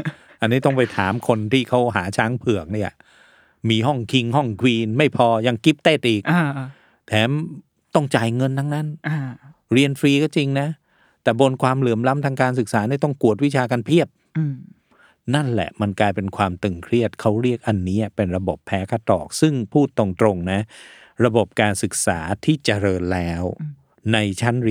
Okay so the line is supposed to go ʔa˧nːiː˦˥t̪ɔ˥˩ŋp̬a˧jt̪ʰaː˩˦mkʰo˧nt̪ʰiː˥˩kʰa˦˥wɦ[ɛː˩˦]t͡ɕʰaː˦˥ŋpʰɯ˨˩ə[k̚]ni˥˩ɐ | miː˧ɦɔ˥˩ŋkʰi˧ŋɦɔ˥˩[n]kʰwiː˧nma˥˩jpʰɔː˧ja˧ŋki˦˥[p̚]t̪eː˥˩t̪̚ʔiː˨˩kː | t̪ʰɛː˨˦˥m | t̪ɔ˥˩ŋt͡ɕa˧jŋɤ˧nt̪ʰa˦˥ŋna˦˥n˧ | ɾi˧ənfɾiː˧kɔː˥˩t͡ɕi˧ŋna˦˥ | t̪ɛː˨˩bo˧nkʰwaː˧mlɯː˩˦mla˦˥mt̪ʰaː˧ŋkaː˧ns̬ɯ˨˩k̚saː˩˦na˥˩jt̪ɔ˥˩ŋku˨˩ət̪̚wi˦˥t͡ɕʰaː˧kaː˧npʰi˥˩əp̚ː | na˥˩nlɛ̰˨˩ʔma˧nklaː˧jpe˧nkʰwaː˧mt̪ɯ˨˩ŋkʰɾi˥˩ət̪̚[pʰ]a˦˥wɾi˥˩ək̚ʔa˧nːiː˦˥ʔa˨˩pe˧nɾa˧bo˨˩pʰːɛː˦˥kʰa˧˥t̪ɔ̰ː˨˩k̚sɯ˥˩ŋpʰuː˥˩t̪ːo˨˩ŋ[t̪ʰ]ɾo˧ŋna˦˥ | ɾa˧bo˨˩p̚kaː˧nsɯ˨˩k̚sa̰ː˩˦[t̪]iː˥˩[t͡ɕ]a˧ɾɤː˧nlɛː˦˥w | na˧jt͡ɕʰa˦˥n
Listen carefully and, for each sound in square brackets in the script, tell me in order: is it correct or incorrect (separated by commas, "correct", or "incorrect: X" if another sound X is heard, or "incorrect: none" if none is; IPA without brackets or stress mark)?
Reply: incorrect: aː˩˦, correct, incorrect: ŋ, correct, incorrect: kʰ, incorrect: t̪, incorrect: t̪ʰ, correct